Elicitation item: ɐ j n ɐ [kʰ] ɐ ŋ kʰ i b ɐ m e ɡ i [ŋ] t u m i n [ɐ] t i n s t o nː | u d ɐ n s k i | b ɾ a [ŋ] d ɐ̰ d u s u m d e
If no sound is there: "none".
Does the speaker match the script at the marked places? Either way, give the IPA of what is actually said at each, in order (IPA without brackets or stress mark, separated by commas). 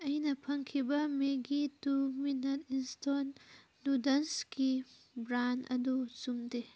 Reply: pʰ, none, ɐ, n